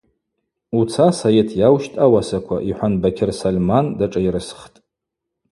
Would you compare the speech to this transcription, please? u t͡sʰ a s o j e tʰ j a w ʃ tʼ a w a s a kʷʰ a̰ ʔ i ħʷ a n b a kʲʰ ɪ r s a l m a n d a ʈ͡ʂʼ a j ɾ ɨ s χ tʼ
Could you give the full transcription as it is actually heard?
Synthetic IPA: u t͡sʰ a s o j e tʰ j a w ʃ tʼ a w a s a kʷʰ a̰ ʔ i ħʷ a n b a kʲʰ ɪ r s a l m a n d a ʈ͡ʂʼ a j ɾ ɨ s χ tʼ

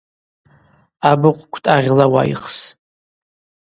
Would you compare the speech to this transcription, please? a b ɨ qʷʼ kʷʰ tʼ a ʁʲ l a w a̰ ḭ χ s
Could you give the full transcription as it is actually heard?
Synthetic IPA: a b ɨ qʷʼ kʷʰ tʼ a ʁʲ l a w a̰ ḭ χ s

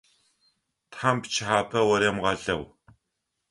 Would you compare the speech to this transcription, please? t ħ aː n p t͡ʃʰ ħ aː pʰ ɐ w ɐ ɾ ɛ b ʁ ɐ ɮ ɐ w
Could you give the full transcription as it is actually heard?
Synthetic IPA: t ħ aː m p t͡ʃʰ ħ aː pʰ ɐ w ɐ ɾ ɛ m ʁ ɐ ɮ ɐ w

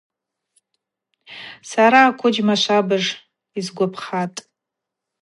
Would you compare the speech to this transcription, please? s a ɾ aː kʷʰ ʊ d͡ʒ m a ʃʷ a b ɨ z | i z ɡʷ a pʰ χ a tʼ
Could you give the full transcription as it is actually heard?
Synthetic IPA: s a ɾ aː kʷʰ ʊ d͡ʒ m a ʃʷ a b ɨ ʐ | i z ɡʷ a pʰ χ a tʼ

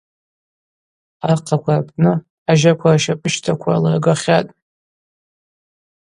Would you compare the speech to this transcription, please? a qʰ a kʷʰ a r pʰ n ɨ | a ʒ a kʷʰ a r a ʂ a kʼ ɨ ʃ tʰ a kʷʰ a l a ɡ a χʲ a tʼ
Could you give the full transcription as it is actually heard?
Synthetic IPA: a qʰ a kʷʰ a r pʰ n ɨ | a ʒ a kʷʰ a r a ʃ a pʼ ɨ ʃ tʰ a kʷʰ a l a ɡ a χʲ a tʼ

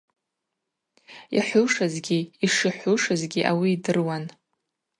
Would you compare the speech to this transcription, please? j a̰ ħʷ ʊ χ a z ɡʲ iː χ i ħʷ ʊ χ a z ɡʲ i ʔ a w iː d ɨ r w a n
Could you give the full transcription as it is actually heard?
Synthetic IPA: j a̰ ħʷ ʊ ʂ a z ɡʲ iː ʂ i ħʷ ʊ ʂ a z ɡʲ i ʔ a w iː d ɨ r w a n

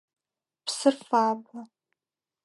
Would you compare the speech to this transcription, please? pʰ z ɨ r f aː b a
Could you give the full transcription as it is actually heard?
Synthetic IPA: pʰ s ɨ r f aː b a

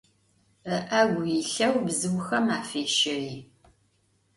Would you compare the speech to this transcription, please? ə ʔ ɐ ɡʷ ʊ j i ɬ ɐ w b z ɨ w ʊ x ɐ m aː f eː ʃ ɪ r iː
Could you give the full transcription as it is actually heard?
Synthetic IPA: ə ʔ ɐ ɡʷ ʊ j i ɬ ɐ w b z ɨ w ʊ x ɐ m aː f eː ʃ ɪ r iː

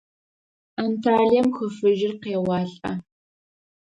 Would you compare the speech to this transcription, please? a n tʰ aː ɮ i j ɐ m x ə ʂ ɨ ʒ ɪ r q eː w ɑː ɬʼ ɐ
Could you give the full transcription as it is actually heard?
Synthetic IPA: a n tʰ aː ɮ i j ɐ m x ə f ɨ ʒ ɪ r q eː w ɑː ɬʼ ɐ

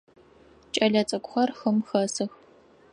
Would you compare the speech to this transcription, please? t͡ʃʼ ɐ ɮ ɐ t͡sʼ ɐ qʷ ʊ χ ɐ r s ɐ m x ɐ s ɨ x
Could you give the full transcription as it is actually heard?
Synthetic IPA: t͡ʃʼ ɐ ɮ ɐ t͡sʼ ɐ kʷ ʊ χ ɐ r x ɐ m x ɐ s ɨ x

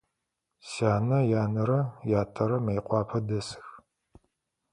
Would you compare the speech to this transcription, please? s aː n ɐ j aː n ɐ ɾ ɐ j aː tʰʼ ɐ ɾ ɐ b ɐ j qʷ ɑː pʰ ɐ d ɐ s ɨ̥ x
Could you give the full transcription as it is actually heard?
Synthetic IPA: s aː n ɐ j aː n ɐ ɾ ɐ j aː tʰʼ ɐ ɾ ɐ m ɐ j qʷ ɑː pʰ ɐ d ɐ s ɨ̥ x

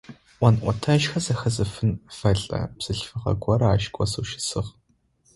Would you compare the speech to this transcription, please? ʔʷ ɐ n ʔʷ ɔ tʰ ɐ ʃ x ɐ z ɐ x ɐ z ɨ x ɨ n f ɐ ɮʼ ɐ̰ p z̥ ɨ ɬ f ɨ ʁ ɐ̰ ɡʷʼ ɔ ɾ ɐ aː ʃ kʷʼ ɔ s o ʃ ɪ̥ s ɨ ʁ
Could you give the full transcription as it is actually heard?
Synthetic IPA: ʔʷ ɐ n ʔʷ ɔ tʰ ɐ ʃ x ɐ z ɐ x ɐ z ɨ f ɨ n f ɐ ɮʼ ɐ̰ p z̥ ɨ ɬ f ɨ ʁ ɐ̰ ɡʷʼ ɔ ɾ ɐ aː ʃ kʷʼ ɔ s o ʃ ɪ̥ s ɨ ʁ

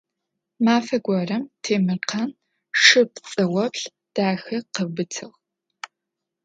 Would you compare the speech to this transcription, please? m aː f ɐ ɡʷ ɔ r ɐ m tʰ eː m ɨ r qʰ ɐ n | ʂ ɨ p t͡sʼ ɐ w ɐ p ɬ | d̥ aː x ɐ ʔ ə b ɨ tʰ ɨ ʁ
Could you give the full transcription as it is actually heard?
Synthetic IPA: m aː f ɐ ɡʷ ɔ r ɐ m tʰ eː m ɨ r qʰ ɐ n | ʂ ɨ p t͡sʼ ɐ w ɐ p ɬ | d̥ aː x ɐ q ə b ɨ tʰ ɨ ʁ

